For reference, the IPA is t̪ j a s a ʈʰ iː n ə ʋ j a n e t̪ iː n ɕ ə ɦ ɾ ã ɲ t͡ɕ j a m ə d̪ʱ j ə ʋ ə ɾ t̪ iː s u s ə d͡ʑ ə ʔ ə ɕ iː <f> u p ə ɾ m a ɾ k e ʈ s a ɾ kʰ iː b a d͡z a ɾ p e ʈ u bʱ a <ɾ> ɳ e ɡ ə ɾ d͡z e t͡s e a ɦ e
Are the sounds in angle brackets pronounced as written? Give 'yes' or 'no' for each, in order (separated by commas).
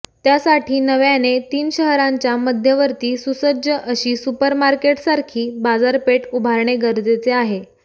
no, yes